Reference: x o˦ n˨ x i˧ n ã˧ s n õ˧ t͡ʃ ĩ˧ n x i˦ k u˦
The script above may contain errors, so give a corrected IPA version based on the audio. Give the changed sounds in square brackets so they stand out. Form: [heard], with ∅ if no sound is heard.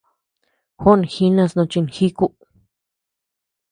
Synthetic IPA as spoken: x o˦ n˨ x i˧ n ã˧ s n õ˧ t͡ʃ [i˧] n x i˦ k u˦

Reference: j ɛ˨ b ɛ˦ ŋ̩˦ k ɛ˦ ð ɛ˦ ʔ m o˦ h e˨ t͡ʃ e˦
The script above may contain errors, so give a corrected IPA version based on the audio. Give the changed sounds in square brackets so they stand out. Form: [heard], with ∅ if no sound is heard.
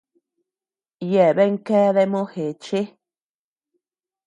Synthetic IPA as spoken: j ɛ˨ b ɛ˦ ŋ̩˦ k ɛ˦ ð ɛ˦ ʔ m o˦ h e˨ t͡ʃ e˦

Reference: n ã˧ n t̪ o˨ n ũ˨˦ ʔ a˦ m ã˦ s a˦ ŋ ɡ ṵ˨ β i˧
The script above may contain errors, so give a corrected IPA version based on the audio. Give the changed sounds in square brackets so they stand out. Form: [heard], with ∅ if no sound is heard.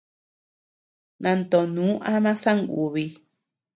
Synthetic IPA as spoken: n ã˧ n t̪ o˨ n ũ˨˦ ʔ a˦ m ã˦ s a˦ ŋ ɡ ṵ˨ β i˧

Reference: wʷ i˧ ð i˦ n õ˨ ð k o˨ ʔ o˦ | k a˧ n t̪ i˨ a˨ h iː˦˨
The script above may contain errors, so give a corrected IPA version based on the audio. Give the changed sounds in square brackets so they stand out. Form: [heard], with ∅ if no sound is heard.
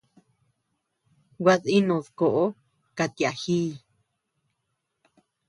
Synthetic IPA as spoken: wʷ [a˧] ð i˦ n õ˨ ð k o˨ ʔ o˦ | k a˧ [∅] t̪ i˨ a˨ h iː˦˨

